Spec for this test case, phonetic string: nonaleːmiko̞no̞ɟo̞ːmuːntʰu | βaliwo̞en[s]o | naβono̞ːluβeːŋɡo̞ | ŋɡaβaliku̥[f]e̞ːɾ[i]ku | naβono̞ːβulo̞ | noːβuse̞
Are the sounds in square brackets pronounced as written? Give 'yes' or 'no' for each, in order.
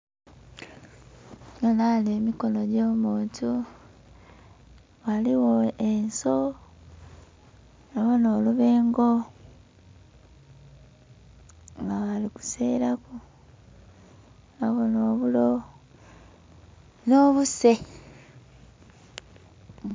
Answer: yes, no, no

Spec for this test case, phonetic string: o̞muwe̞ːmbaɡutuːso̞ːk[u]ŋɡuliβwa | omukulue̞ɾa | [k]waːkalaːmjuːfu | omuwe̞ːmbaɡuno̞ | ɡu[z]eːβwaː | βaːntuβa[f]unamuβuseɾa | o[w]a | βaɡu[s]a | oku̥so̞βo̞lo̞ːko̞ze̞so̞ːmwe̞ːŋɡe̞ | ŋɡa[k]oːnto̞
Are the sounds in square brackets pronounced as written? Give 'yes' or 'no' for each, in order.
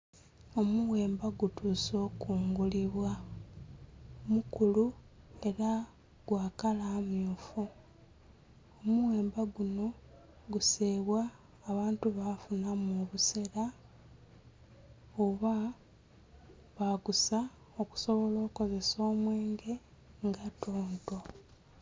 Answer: no, no, no, yes, no, yes, no

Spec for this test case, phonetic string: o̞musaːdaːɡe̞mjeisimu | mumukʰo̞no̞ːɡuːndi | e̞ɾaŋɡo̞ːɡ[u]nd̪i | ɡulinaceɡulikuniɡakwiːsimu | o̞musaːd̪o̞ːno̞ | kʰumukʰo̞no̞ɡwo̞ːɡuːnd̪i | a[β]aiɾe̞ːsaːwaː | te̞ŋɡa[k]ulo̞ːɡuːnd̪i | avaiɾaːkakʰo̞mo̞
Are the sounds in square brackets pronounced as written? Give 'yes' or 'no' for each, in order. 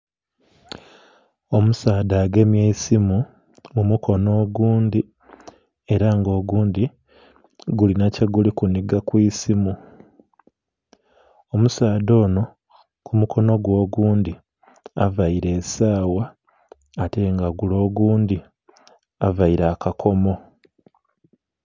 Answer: no, no, no

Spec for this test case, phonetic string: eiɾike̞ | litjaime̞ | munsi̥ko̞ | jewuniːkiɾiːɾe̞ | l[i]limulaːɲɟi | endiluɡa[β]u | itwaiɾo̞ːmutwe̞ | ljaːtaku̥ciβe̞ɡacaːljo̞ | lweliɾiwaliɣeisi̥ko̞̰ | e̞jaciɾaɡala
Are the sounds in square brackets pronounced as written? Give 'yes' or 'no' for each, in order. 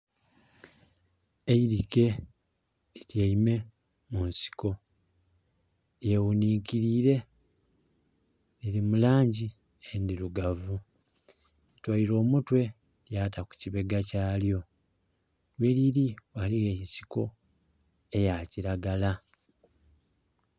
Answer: yes, no

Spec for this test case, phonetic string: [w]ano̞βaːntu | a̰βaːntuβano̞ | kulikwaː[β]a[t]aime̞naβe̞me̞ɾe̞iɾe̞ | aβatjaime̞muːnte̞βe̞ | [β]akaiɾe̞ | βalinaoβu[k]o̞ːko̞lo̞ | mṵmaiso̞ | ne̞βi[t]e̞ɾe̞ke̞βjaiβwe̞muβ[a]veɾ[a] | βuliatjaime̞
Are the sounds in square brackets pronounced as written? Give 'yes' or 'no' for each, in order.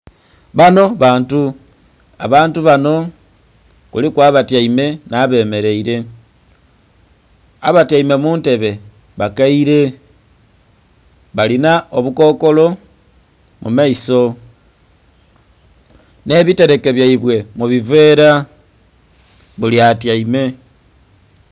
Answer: no, yes, yes, yes, yes, yes, no, yes

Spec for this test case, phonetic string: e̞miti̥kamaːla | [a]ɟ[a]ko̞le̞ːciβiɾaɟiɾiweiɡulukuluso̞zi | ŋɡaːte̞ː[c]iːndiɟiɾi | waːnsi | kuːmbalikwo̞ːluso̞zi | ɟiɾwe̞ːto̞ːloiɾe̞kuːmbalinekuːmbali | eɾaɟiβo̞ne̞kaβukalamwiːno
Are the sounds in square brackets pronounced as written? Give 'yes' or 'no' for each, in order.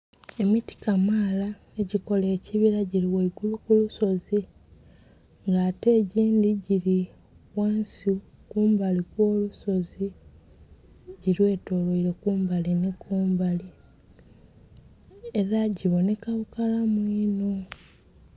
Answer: no, no, no

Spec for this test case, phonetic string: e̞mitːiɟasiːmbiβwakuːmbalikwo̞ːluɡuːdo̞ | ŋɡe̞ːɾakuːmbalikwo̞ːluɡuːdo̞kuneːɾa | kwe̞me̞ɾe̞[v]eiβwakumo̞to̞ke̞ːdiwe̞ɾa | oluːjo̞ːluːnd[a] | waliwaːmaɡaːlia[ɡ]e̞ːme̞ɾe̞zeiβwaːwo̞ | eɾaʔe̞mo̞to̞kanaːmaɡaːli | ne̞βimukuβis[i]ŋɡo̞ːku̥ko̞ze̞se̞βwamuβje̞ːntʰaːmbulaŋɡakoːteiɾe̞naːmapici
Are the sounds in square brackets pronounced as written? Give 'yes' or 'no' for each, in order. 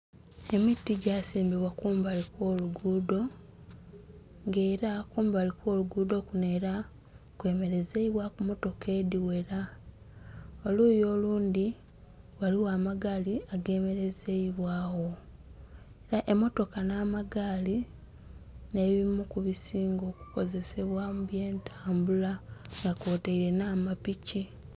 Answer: no, no, yes, no

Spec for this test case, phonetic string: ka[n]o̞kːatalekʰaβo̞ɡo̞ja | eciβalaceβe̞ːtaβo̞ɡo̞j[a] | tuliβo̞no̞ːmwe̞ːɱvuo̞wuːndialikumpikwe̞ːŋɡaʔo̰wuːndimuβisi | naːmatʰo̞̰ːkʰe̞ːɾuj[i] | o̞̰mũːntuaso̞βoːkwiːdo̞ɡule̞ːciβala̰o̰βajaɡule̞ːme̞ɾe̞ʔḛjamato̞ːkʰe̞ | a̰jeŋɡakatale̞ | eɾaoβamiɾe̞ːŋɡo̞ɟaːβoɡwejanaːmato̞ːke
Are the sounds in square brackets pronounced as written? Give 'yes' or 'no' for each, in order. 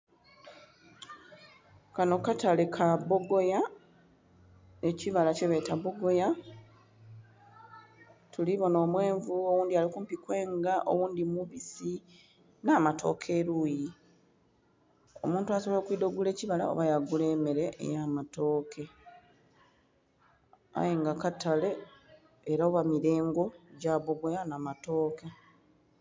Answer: yes, yes, yes

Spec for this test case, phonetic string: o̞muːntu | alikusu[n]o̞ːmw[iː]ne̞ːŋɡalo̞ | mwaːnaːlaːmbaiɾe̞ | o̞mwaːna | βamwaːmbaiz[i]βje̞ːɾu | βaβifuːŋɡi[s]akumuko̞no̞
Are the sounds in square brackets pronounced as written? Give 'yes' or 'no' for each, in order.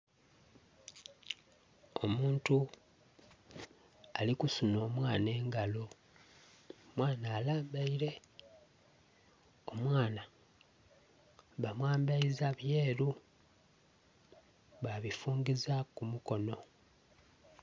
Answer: yes, no, no, no

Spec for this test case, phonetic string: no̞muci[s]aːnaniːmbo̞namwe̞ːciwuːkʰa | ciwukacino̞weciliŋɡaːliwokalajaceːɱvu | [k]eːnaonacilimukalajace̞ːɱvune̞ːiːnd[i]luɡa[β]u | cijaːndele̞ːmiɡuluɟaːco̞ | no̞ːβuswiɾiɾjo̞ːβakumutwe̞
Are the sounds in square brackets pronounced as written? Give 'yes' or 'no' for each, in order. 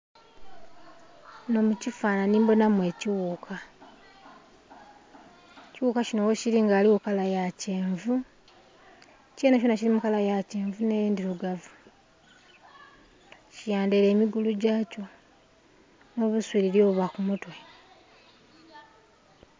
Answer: no, no, yes, no

